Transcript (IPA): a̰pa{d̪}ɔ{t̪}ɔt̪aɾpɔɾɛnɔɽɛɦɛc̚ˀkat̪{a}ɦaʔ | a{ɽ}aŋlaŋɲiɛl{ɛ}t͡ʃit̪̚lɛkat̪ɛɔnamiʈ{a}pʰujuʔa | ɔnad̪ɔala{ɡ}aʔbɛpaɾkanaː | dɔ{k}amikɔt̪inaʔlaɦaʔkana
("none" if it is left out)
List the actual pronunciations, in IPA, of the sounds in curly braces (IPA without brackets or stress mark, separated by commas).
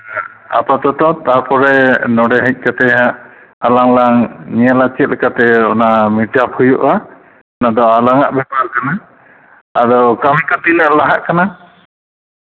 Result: t̪, t̪, ɛ, l, a, a, ŋ, k